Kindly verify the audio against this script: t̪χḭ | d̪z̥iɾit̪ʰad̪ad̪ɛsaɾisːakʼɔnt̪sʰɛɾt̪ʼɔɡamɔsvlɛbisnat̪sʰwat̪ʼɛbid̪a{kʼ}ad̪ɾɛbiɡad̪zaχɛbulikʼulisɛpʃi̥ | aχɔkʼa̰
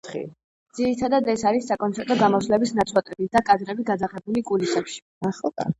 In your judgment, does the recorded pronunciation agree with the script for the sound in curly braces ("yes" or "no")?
yes